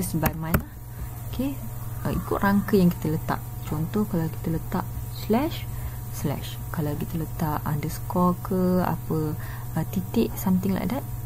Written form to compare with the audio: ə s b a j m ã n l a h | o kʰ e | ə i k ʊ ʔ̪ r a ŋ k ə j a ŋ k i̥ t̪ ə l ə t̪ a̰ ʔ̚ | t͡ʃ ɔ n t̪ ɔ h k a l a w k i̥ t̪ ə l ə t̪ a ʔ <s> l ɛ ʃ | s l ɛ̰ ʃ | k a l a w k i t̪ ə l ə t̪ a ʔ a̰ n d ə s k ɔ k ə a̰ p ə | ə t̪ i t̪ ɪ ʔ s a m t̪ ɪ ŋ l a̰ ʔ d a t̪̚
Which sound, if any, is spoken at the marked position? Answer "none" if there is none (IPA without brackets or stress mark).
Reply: s